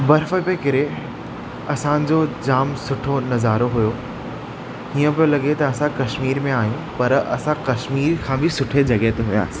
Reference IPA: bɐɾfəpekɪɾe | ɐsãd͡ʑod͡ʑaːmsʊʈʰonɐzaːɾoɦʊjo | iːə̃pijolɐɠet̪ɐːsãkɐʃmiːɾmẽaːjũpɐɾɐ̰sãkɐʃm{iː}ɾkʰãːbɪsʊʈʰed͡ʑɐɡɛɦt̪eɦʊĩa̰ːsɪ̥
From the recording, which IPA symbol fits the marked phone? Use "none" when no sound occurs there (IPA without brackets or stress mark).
iː